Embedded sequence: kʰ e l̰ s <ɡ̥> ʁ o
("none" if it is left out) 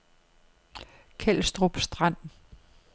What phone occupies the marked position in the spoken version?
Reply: d̥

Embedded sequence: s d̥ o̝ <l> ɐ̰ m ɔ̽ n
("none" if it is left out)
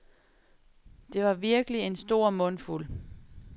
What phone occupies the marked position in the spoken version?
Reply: none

